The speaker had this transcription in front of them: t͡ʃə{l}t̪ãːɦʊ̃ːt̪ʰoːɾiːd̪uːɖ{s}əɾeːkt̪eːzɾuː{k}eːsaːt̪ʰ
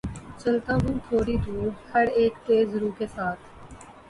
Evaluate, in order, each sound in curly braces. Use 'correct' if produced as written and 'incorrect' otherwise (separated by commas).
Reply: correct, incorrect, correct